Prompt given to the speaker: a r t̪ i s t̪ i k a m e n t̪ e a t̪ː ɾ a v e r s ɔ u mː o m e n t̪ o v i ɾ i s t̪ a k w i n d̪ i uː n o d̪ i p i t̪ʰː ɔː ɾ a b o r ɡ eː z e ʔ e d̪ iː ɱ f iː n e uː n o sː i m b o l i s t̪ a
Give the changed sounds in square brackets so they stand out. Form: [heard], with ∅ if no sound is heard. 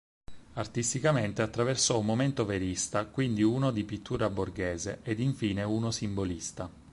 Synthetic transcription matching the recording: a r t̪ i s t̪ i k a m e n t̪ e a t̪ː ɾ a v e r s ɔ u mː o m e n t̪ o v [e] ɾ i s t̪ a k w i n d̪ i uː n o d̪ i p i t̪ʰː [uː] ɾ a b o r ɡ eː z e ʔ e d̪ [i] ɱ f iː n e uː n o [s] i m b o l i s t̪ a